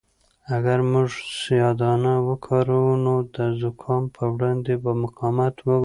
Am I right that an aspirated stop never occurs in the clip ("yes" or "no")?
no